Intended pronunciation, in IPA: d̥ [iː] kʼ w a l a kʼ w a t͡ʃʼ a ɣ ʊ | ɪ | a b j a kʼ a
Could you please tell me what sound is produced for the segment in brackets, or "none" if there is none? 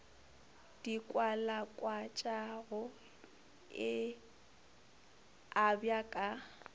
i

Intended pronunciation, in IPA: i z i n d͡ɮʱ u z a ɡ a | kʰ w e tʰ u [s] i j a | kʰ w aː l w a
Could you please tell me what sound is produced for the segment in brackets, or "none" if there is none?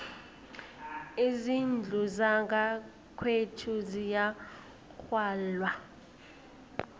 z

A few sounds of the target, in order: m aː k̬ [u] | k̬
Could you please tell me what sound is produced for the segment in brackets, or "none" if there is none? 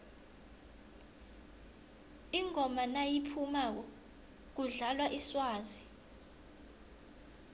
ɔ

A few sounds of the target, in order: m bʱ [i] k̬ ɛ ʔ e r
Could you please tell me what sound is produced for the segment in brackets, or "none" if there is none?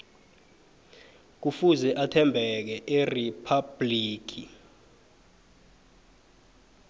ɛ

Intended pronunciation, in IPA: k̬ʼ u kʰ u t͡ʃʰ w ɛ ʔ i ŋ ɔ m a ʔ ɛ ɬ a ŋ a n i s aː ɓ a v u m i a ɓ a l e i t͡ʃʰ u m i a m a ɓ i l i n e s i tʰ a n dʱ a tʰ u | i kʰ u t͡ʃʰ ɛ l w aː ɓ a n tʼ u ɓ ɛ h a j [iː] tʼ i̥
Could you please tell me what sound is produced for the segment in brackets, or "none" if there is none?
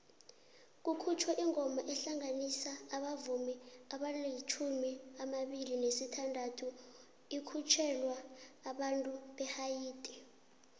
iː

